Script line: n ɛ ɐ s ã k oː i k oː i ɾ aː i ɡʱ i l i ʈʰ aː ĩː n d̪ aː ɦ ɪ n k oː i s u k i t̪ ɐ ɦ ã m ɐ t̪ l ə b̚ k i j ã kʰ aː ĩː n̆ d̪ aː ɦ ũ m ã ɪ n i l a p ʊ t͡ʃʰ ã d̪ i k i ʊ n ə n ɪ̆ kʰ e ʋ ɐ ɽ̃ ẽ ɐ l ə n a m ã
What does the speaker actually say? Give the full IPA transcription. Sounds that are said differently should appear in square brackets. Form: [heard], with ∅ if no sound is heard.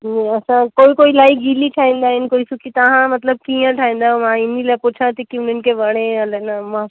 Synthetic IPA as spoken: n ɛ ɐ s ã k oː i k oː i [l] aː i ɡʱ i l i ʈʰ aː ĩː n d̪ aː ɦ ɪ n k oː i s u k i t̪ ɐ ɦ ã m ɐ t̪ l ə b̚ k i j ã [ʈʰ] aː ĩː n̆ d̪ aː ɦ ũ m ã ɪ n i l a p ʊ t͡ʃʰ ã [t̪] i k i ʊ n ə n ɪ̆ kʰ e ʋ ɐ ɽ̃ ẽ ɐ l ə n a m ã